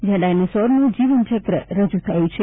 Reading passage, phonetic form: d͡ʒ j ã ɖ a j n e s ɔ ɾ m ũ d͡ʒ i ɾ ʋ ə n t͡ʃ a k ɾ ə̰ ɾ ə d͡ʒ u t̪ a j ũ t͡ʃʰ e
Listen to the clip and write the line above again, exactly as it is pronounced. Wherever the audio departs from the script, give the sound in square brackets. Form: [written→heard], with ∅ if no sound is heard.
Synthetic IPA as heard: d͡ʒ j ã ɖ a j n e s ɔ ɾ [m→n] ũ d͡ʒ i [ɾ→∅] ʋ ə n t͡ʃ [a→ə] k ɾ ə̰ ɾ ə d͡ʒ u [t̪→t̪ʰ] a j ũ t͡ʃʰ e

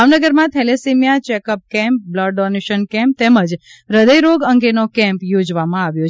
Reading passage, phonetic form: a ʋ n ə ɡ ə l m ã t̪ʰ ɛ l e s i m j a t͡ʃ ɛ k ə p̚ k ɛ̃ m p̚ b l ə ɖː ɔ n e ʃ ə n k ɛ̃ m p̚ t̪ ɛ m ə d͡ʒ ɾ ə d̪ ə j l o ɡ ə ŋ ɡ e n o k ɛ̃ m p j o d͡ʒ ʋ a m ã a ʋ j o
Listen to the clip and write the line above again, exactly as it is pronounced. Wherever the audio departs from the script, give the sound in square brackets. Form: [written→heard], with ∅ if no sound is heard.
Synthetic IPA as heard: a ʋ n ə ɡ ə [l→ɾ] m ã t̪ʰ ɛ l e s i m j a t͡ʃ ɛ k ə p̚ k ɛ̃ m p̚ b l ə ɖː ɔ n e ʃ ə n k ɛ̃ m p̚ t̪ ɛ m ə d͡ʒ ɾ ə d̪ ə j [l→ɾ] o ɡ ə ŋ ɡ e n o k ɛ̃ m p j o d͡ʒ ʋ a m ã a ʋ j o

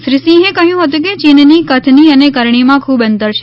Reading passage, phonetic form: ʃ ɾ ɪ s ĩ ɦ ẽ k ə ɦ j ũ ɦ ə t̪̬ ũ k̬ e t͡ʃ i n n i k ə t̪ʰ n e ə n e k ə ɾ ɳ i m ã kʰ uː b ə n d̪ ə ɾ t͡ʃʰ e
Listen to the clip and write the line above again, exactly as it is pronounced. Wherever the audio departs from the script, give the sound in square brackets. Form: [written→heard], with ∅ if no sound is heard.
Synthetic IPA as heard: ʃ ɾ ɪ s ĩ ɦ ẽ k ə ɦ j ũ ɦ ə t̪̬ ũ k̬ e t͡ʃ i n n i k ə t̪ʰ n [e→i] ə n e k ə ɾ ɳ i m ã kʰ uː b ə n [d̪→t̪] ə ɾ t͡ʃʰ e

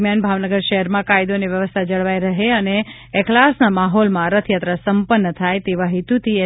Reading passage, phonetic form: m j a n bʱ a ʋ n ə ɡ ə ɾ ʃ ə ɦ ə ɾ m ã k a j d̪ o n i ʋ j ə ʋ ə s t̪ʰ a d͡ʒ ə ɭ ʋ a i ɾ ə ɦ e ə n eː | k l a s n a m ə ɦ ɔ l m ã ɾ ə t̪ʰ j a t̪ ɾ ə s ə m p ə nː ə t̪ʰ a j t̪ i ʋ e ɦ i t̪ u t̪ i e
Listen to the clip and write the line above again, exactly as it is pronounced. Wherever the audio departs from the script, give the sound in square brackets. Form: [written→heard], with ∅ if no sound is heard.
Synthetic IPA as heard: m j a n bʱ a ʋ n ə ɡ ə ɾ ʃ ə ɦ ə ɾ m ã k a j d̪ o n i ʋ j ə ʋ ə s t̪ʰ a d͡ʒ ə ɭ ʋ a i ɾ ə ɦ e ə n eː | k l a s n a m [ə→a] ɦ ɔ l m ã ɾ ə t̪ʰ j a t̪ ɾ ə s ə m p ə nː ə t̪ʰ a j t̪ [i→e] ʋ [e→a] ɦ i t̪ u t̪ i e

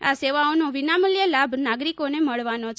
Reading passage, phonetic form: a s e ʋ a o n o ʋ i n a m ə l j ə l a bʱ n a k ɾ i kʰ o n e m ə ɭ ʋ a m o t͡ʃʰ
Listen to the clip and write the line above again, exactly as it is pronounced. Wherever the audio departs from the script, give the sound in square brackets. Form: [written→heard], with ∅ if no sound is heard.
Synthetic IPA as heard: a s e ʋ a o n o ʋ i n a m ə l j ə l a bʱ n a [k→ɡ] ɾ i [kʰ→k] o n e m ə ɭ ʋ a [m→n] o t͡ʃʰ

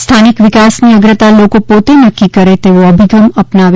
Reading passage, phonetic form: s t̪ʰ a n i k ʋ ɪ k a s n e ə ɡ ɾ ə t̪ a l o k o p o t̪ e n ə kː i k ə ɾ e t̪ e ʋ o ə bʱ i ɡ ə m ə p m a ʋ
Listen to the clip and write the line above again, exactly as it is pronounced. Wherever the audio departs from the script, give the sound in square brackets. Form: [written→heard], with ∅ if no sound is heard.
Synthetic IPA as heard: s t̪ʰ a n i k ʋ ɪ k a s n [e→i] ə ɡ ɾ ə t̪ a l o k o p o t̪ e n ə kː i k ə ɾ e t̪ e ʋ o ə bʱ i ɡ ə m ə p [m→n] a ʋ

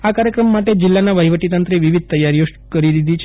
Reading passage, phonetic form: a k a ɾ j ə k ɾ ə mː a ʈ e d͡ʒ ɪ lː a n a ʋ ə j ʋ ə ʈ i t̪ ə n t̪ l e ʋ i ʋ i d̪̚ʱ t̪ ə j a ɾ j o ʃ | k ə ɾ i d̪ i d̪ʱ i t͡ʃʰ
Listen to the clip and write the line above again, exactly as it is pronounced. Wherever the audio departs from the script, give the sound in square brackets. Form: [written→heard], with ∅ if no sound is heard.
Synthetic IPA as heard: a k a ɾ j ə k ɾ ə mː a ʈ e d͡ʒ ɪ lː a n a ʋ ə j ʋ ə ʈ i t̪ ə n t̪ [l→ɾ] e ʋ i ʋ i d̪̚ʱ t̪ ə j a ɾ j o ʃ | k ə ɾ i d̪ i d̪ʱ i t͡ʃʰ

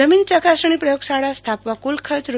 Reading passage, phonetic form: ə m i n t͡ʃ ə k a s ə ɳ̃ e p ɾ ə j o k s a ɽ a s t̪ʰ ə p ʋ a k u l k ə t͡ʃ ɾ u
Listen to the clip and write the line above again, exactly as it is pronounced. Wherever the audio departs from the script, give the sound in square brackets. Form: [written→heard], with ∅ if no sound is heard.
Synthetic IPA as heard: ə m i n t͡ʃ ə k a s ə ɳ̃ [e→i] p ɾ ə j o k s a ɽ a s t̪ʰ [ə→a] p ʋ a k u l [k→kʰ] ə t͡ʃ ɾ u

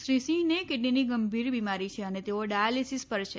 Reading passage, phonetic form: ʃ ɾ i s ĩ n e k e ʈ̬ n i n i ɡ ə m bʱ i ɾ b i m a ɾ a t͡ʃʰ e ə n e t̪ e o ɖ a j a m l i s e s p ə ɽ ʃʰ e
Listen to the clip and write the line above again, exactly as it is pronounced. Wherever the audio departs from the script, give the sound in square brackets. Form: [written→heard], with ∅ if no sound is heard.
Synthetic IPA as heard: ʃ ɾ i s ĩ n e k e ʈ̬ n i n i ɡ ə m bʱ i ɾ b i m a ɾ [a→i] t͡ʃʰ e ə n e t̪ e o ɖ a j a [m→∅] l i s [e→i] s p ə [ɽ→ɾ] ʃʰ e

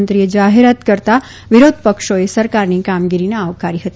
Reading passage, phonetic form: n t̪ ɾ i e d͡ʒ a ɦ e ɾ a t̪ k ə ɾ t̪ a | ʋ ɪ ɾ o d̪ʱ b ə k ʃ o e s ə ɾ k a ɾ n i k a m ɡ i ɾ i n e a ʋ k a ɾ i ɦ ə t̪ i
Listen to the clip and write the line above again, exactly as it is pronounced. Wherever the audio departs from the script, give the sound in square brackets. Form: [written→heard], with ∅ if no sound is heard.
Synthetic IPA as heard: n t̪ ɾ i e d͡ʒ a ɦ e ɾ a t̪ k ə ɾ t̪ a | ʋ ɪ ɾ o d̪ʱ [b→p] ə k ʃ o e s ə ɾ k a ɾ n i k a m ɡ i ɾ i n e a ʋ k a ɾ i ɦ ə t̪ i

